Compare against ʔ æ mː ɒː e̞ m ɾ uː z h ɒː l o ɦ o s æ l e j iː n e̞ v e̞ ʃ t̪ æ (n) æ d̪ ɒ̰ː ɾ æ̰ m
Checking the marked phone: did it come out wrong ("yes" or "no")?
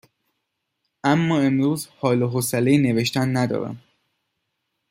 yes